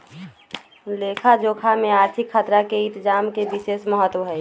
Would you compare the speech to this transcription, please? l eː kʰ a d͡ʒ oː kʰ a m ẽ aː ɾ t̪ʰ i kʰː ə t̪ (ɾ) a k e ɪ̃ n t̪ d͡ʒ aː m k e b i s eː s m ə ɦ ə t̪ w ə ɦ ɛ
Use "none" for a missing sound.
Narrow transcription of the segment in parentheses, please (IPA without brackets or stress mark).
ɾ